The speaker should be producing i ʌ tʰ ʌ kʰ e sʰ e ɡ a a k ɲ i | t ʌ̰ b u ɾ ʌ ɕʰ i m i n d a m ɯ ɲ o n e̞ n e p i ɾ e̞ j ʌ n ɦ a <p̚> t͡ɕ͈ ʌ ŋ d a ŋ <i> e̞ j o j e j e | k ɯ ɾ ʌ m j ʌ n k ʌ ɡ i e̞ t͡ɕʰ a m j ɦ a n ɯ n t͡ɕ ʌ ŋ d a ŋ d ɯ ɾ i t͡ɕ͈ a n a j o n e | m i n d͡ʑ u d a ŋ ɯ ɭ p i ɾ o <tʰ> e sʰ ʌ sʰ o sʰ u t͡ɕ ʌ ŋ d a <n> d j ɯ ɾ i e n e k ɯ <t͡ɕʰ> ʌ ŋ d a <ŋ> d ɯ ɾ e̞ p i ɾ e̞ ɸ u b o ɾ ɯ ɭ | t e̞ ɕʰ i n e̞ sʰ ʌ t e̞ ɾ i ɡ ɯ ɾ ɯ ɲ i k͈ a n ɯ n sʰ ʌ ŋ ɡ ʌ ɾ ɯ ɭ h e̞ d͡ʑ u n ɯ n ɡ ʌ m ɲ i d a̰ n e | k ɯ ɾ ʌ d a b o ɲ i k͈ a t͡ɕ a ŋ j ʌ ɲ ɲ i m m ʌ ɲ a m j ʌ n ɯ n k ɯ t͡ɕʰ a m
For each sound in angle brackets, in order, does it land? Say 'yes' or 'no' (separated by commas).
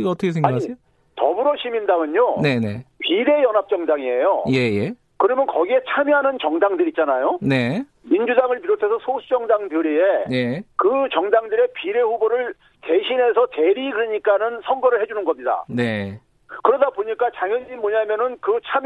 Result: yes, yes, yes, no, no, yes